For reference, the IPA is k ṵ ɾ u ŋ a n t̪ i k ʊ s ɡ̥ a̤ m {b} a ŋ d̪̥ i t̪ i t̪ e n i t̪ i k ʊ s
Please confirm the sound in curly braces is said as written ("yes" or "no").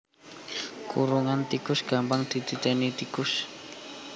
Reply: no